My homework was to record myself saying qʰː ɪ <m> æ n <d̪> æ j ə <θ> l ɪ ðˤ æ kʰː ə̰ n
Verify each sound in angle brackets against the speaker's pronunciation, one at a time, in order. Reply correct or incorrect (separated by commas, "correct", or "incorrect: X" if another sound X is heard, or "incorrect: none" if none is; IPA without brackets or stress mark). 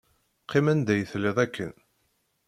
correct, correct, correct